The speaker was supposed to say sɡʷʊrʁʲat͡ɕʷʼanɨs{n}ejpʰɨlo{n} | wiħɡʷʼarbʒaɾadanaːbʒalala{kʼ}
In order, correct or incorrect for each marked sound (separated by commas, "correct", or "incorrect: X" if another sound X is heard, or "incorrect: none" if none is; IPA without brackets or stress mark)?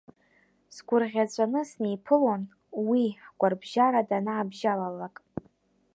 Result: correct, correct, correct